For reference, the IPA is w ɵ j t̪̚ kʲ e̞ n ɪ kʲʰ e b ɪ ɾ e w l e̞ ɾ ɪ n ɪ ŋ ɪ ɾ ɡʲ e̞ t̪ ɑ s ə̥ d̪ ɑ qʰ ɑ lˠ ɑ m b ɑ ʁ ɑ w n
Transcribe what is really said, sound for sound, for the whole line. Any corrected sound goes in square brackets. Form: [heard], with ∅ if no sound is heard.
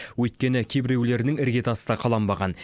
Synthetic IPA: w ɵ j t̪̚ kʲ e̞ n ɪ kʲʰ e b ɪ ɾ e w l e̞ ɾ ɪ n ɪ ŋ ɪ ɾ ɡʲ e̞ t̪ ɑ s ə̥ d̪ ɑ qʰ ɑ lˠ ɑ m b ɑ ʁ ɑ [∅] n